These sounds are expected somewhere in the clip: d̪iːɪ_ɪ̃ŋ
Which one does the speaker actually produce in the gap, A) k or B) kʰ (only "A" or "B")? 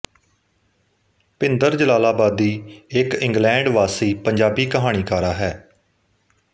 A